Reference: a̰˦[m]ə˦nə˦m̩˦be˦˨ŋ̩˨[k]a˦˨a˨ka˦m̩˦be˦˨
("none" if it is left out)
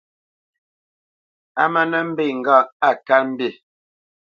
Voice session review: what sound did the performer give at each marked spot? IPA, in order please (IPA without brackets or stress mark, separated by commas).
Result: m, ɡ